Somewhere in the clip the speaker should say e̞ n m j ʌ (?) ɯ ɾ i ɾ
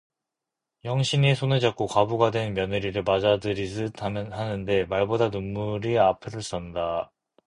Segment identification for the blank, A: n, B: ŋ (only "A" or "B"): A